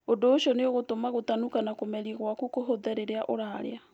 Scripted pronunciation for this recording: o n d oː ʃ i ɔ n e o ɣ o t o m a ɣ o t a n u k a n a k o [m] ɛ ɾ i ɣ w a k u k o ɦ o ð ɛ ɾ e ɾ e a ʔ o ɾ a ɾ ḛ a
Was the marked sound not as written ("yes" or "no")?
no